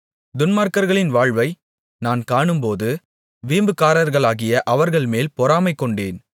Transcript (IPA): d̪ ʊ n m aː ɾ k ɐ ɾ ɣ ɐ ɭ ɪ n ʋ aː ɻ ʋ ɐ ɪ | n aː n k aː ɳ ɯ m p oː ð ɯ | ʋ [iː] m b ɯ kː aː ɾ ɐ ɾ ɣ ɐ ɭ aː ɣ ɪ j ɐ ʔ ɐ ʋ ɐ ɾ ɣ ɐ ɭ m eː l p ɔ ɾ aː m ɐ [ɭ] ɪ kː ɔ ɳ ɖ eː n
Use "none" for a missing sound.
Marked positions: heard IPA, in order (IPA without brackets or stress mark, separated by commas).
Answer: iː, none